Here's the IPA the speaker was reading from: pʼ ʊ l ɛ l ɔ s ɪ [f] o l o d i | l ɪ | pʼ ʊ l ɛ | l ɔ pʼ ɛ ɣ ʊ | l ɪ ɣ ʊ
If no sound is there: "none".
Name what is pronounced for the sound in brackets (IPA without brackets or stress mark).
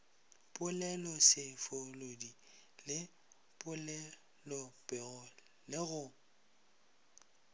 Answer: f